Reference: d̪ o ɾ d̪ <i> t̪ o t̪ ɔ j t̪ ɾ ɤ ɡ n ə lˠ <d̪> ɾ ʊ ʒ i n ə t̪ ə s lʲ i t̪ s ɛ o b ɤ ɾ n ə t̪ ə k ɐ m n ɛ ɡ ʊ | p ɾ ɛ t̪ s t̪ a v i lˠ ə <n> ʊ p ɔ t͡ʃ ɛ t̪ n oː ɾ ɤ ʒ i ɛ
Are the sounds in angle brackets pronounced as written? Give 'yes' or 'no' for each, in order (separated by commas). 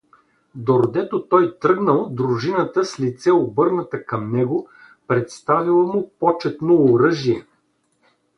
no, yes, no